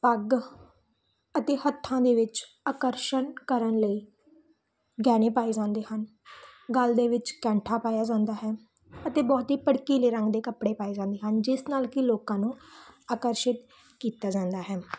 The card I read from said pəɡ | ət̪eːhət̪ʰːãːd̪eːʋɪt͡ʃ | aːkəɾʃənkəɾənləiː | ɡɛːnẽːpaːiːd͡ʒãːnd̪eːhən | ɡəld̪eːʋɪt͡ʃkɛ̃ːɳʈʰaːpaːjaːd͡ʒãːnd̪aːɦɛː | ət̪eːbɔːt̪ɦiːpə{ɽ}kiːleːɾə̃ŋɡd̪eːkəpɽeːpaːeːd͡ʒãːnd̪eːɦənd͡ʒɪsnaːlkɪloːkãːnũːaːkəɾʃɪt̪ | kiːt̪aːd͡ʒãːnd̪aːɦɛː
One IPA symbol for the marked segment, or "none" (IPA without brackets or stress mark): ɽ